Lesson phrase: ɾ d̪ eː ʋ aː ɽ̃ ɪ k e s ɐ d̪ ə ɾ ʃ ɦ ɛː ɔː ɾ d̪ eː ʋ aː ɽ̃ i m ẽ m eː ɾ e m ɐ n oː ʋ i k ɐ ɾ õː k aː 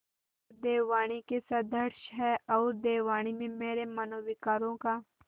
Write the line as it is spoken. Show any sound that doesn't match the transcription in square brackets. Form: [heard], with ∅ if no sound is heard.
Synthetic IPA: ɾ d̪ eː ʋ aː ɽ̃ [i] k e s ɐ d̪ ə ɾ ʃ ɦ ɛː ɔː ɾ d̪ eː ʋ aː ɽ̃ i m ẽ m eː ɾ e m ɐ n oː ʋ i k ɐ ɾ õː k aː